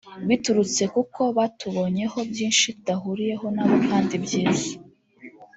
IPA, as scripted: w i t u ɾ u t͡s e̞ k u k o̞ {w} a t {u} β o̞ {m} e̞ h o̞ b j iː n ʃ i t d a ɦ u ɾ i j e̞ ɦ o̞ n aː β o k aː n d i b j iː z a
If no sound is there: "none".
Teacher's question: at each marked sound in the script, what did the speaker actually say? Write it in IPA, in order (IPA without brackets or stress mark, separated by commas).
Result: β, u, ɲ